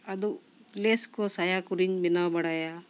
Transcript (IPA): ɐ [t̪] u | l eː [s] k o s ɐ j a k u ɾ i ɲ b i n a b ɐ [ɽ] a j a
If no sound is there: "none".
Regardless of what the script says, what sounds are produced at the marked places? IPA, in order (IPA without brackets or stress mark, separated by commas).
d̪, s, ɽ